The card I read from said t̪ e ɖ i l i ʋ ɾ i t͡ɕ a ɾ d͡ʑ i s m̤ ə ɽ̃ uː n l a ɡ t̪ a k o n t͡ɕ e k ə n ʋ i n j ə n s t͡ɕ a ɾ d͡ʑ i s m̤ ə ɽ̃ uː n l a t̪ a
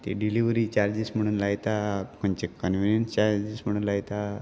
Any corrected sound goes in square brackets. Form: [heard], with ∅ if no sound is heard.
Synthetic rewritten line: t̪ e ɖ i l i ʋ ɾ i t͡ɕ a ɾ d͡ʑ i s m̤ ə ɽ̃ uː n l a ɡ t̪ a k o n t͡ɕ e k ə n ʋ i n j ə n s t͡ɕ a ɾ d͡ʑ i s m̤ ə ɽ̃ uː n l a t̪ a

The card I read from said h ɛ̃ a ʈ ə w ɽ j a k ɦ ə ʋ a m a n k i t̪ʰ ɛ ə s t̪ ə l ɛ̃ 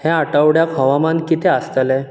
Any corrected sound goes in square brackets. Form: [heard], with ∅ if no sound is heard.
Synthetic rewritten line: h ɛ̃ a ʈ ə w ɽ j a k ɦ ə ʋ a m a n k i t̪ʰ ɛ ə s t̪ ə l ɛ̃

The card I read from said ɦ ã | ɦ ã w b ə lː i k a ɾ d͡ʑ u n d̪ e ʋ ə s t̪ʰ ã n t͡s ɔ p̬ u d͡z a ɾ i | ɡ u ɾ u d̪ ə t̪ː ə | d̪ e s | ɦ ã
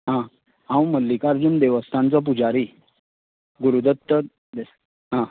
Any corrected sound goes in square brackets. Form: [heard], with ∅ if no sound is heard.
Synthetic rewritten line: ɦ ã | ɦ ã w [m] ə lː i k a ɾ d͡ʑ u n d̪ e ʋ ə s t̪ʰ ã n t͡s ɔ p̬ u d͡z a ɾ i | ɡ u ɾ u d̪ ə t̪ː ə | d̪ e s | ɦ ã

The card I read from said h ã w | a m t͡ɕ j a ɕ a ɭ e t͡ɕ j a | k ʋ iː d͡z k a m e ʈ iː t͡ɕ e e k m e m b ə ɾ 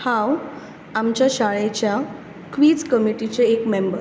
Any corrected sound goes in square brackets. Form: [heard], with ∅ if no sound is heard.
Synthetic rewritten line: h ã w | a m t͡ɕ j a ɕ a ɭ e t͡ɕ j a | k ʋ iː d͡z k [ə] m [i] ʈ [i] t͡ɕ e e k m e m b ə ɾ

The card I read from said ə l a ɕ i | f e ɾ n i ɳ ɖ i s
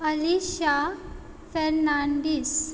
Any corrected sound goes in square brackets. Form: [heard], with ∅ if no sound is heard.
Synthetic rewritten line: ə l [i] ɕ [a] | f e ɾ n [a] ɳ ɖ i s

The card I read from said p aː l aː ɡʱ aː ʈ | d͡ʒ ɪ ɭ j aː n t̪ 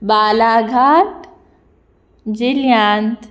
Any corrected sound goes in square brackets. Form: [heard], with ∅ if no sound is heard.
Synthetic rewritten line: [b] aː l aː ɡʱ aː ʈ | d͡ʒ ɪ [l] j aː n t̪

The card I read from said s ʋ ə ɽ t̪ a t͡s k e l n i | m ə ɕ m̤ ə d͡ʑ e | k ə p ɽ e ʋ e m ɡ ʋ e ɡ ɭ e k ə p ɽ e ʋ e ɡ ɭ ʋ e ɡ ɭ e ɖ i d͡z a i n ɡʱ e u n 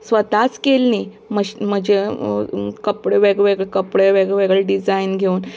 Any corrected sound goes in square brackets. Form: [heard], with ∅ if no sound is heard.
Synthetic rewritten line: s ʋ ə [∅] t̪ a t͡s k e l n i | m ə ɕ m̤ ə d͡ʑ e | k ə p ɽ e ʋ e [∅] ɡ ʋ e ɡ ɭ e k ə p ɽ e ʋ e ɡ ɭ ʋ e ɡ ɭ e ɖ i d͡z a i n ɡʱ e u n

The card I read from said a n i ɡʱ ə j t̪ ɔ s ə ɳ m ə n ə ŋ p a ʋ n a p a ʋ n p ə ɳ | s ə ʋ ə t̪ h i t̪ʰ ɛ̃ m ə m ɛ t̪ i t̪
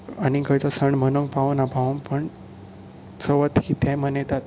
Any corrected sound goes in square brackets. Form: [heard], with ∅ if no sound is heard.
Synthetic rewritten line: a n i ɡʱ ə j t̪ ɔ s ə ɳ m ə n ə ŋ p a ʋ n a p a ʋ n p ə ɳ | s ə ʋ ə t̪ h i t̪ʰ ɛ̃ m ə [n] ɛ t̪ [a] t̪

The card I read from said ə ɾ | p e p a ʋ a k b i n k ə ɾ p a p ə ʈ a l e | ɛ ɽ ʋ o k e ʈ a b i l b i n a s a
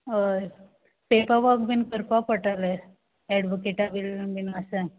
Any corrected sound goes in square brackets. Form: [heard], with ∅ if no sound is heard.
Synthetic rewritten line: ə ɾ | p e p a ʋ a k b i n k ə ɾ p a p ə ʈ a l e | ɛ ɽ ʋ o k e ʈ a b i l b i n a s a

